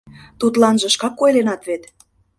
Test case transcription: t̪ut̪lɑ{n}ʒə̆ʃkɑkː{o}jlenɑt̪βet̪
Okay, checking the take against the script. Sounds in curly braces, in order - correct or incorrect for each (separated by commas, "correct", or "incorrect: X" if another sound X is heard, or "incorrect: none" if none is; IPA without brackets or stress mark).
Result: correct, correct